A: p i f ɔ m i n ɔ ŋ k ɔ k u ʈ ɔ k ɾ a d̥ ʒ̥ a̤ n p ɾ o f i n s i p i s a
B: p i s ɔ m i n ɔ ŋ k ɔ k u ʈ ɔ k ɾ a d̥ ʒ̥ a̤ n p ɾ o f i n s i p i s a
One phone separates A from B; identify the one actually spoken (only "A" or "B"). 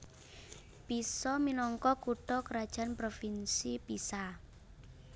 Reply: B